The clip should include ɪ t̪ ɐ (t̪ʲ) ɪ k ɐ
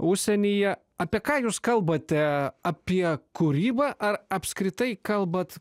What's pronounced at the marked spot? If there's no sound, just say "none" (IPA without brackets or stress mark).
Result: none